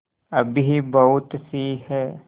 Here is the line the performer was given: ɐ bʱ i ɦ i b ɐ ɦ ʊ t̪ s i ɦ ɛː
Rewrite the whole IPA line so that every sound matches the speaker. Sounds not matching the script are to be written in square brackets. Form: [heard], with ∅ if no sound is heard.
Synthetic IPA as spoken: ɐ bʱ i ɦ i b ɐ ɦ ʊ t̪ s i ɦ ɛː